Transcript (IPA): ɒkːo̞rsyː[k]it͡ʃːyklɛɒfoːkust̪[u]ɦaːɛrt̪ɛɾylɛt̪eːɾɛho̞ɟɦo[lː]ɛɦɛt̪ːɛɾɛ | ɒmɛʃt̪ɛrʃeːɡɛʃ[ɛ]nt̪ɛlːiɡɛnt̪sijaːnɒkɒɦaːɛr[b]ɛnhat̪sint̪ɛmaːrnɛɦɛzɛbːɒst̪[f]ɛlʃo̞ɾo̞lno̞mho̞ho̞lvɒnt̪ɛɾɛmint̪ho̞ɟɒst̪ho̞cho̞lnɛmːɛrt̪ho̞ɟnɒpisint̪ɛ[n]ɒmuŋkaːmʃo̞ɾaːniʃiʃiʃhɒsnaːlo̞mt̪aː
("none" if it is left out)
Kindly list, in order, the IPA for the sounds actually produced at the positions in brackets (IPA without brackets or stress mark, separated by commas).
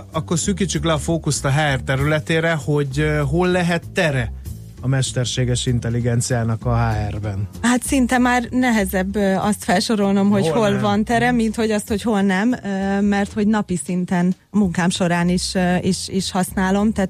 k, ɒ, lː, i, b, f, n